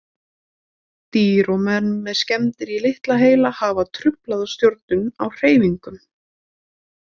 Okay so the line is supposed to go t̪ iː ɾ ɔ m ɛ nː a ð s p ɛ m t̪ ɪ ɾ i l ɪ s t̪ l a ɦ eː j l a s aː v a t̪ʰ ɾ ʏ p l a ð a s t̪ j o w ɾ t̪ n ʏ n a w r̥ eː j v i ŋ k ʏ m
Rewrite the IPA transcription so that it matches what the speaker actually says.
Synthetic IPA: t̪ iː ɾ ɔ m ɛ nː ɛ ð s c ɛ m t̪ ɪ ɾ i l ɪ h t̪ l a ɦ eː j l a h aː v a t̪ʰ ɾ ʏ p l a ð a s t̪ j o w ɾ t̪ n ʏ n a w r̥ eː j v i ŋ k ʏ m